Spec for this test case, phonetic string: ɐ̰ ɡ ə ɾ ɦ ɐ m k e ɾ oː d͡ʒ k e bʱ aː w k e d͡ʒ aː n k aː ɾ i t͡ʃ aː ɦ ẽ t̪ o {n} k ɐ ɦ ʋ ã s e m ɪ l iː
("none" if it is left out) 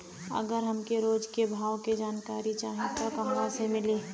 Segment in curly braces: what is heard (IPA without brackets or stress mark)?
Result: none